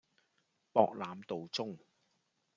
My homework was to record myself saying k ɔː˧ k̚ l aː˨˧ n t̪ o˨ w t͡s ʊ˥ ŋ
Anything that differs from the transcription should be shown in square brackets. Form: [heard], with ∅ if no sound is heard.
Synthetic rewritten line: [p] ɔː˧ k̚ l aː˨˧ [m] t̪ o˨ w t͡s ʊ˥ ŋ